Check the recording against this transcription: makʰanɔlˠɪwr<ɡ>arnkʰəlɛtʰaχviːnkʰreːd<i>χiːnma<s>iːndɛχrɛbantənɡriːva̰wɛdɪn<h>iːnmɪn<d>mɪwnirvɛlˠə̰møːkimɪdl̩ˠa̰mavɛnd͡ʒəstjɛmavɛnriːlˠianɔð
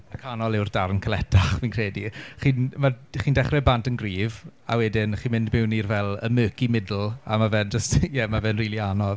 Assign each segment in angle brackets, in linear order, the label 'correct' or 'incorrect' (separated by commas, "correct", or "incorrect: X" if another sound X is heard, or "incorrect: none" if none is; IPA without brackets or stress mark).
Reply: incorrect: d, correct, incorrect: χ, incorrect: χ, correct